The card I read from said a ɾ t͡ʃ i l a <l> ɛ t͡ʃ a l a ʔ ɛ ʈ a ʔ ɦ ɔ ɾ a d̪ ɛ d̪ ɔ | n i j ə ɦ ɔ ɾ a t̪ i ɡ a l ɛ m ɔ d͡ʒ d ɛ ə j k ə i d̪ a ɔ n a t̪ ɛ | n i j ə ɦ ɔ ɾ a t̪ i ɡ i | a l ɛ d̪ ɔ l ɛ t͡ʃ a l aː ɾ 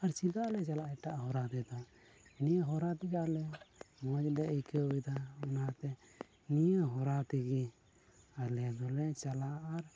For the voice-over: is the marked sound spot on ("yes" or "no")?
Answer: yes